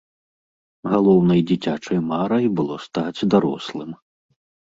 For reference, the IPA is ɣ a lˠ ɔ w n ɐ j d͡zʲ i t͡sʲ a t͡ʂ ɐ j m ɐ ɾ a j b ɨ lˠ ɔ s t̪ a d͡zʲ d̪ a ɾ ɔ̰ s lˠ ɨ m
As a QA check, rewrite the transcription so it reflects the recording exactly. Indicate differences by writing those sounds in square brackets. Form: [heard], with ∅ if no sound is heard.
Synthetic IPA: ɣ a lˠ ɔ w n ɐ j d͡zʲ i t͡sʲ a t͡ʂ ɐ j m [a] ɾ [ɐ] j b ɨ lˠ ɔ s t̪ a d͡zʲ d̪ a ɾ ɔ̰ s lˠ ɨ m